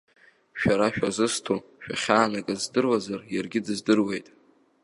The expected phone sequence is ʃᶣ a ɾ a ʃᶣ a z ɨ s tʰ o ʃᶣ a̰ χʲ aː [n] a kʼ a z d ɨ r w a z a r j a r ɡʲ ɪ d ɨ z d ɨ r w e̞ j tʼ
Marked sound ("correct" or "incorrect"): correct